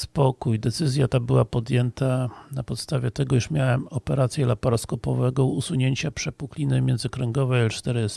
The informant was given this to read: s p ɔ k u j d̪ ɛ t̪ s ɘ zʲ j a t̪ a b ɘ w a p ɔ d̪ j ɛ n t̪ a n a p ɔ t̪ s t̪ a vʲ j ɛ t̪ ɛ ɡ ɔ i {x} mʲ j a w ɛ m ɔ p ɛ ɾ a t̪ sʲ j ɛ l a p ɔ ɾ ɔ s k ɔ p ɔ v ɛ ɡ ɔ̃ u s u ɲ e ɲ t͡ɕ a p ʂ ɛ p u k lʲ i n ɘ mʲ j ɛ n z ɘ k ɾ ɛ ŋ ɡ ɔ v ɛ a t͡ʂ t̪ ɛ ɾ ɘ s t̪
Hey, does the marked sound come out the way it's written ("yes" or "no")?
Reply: no